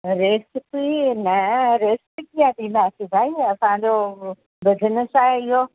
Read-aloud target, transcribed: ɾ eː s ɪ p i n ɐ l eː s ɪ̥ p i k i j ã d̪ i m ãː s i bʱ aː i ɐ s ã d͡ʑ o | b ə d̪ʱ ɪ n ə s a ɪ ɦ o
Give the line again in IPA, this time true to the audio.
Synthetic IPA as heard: ɾ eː s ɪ p i n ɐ ɾ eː s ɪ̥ p i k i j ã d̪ i m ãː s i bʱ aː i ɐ s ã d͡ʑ o | b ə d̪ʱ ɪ n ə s a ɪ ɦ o